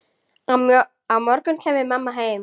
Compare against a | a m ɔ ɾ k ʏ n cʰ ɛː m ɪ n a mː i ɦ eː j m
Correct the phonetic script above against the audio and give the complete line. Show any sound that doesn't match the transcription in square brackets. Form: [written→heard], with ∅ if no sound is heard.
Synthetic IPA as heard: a | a m ɔ ɾ k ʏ n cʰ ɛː m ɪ [n→m] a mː [i→a] ɦ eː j m